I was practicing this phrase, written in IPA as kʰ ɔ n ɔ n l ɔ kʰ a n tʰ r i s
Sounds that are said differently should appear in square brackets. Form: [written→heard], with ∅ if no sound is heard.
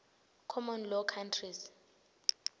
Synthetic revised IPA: kʰ ɔ [n→m] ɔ n l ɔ kʰ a n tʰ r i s